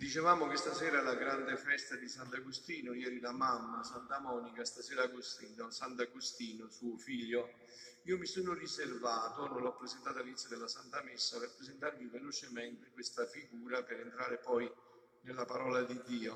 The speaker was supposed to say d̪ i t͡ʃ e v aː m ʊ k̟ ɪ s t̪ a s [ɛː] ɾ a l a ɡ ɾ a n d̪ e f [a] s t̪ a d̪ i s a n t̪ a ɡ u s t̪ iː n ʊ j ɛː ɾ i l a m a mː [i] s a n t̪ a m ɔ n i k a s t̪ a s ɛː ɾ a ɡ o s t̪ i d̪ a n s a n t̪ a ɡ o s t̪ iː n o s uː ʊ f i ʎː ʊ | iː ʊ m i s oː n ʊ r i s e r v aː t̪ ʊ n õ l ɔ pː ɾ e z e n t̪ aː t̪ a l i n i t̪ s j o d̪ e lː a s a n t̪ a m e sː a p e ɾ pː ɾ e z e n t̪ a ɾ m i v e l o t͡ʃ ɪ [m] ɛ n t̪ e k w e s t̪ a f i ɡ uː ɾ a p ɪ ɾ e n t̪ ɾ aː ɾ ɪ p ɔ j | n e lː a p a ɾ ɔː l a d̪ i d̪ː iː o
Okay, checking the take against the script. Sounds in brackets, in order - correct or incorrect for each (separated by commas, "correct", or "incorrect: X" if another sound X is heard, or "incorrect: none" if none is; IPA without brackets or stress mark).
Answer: correct, incorrect: ɛ, incorrect: a, correct